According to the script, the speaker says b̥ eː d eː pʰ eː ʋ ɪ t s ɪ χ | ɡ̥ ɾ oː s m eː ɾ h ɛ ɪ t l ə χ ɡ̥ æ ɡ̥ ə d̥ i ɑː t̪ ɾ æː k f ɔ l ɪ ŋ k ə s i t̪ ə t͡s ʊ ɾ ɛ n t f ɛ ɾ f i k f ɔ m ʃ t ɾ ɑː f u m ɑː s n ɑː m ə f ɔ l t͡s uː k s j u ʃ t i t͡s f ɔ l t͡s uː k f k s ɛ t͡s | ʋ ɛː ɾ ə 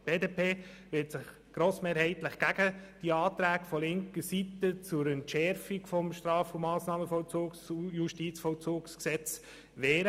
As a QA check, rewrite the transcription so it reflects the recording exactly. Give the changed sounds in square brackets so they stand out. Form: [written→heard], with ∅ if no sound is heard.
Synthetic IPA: b̥ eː d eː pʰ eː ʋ ɪ t s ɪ χ | ɡ̥ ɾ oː s m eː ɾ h ɛ ɪ t l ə χ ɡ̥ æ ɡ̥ ə d̥ i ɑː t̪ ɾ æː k f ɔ l ɪ ŋ k ə s i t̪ ə t͡s ʊ ɾ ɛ n t [f→ʃ] ɛ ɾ f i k f ɔ m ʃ t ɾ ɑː f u m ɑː s n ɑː m ə f ɔ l t͡s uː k s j u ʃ t i t͡s f ɔ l t͡s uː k [f→s] k s ɛ t͡s | ʋ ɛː ɾ ə